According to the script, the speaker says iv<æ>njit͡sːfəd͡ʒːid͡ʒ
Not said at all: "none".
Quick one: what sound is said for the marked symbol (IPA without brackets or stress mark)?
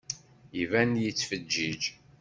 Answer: æ